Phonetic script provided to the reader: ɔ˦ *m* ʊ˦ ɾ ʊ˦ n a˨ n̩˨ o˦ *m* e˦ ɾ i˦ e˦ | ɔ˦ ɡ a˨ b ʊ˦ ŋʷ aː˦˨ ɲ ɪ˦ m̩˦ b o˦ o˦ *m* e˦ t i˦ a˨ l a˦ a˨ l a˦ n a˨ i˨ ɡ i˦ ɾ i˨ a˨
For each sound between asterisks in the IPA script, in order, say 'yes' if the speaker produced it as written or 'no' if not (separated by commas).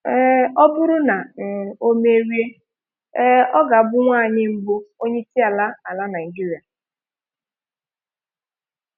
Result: no, yes, no